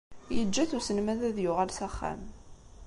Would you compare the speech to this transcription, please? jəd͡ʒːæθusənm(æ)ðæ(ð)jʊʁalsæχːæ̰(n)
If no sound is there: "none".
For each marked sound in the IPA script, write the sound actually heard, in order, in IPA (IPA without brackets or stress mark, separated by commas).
æ, ð, m